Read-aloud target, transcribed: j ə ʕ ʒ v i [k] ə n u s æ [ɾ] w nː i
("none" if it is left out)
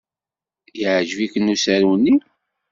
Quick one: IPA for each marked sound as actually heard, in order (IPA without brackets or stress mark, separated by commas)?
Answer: k, ɾ